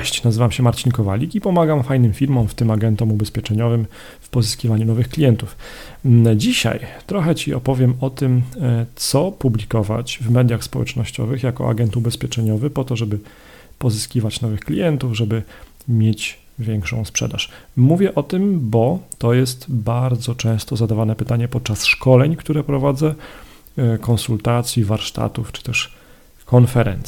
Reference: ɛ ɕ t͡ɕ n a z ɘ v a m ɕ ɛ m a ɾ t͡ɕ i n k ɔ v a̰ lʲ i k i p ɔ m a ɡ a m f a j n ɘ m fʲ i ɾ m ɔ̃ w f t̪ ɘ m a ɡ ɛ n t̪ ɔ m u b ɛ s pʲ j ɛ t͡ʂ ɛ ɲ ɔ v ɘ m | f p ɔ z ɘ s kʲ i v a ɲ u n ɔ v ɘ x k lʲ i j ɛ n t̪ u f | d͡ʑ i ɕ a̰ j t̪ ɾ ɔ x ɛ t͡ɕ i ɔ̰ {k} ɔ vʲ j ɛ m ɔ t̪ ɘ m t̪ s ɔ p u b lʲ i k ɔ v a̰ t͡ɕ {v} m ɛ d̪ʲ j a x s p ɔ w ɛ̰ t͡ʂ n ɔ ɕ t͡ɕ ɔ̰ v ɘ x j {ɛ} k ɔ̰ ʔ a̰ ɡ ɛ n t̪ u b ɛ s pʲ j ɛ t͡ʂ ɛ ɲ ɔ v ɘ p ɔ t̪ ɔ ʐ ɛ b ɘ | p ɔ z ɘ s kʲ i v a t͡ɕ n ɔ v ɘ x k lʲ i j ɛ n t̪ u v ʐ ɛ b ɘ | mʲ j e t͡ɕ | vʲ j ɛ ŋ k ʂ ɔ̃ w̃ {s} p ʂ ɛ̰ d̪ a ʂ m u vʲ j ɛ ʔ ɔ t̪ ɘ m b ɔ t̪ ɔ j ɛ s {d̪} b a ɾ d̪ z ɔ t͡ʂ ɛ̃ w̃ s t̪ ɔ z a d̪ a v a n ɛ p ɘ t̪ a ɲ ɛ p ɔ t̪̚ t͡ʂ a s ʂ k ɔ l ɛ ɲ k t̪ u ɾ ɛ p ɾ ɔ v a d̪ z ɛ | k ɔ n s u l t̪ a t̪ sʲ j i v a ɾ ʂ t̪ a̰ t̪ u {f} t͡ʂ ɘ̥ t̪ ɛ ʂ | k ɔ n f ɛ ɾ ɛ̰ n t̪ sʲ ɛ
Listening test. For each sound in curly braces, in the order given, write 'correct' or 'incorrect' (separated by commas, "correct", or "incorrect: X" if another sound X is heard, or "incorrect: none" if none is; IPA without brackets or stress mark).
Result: incorrect: p, correct, incorrect: a, correct, incorrect: t̪, correct